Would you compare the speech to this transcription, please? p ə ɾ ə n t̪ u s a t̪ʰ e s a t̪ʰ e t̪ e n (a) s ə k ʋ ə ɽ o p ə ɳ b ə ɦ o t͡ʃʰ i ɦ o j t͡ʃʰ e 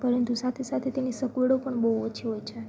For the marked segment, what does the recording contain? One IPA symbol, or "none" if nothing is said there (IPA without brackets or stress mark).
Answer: i